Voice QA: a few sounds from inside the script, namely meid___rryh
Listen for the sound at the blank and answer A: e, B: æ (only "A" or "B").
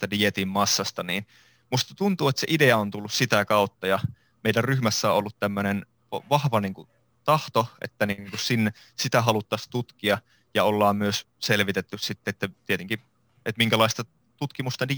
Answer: B